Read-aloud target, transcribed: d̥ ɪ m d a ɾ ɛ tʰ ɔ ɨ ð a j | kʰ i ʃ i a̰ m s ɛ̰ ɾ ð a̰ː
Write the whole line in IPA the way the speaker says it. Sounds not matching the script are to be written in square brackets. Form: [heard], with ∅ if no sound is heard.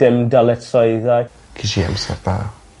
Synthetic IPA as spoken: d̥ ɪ m d a [l] ɛ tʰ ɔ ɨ ð a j | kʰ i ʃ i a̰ m s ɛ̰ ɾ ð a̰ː